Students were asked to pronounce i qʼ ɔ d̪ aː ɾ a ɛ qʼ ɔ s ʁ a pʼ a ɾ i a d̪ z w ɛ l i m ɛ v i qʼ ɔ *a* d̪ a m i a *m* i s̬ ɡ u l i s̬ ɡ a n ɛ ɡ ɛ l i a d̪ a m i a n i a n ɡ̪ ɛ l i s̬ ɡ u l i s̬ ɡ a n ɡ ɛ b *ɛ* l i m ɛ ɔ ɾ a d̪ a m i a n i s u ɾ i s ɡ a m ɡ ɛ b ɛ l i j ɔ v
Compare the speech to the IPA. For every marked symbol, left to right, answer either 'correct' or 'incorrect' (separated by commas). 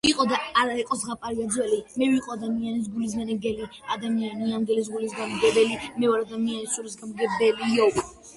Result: correct, incorrect, correct